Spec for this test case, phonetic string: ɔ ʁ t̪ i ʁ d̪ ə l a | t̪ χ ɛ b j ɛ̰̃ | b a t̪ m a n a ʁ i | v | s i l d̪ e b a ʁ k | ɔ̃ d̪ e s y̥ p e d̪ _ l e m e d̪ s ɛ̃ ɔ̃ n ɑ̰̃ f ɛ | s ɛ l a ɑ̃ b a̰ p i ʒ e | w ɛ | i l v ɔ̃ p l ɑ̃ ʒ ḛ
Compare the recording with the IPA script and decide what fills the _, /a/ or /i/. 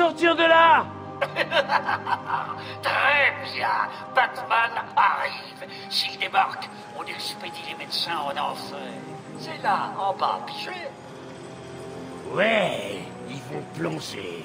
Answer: i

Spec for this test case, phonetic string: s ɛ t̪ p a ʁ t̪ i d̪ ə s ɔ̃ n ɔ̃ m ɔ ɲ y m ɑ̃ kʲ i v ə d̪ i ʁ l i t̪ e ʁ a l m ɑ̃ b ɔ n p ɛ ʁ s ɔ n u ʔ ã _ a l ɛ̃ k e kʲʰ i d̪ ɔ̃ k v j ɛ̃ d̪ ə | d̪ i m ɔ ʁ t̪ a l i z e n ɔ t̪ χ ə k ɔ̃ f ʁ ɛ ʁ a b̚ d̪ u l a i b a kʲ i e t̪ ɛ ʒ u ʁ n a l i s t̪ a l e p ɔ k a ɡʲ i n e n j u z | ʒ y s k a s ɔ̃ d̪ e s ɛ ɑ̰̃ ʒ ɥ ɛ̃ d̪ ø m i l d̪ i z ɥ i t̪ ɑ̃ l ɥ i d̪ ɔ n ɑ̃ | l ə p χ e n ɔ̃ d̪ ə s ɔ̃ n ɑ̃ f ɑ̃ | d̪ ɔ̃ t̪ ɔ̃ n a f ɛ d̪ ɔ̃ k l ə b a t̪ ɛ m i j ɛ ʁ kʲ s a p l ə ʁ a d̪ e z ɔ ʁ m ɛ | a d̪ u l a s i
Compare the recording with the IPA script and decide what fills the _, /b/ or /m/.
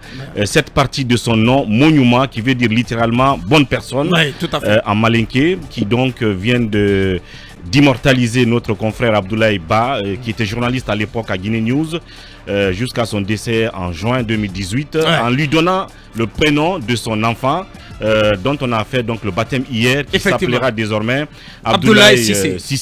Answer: m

